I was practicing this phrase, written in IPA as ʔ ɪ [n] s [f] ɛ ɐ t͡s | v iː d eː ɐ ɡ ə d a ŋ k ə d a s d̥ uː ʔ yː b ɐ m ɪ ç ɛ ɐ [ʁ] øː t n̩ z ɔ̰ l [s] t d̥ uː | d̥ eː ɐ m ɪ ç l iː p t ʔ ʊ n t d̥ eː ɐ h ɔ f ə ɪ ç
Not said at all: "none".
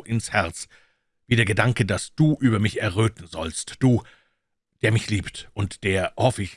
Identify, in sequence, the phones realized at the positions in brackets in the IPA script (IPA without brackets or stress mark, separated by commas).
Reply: n, h, ʁ, s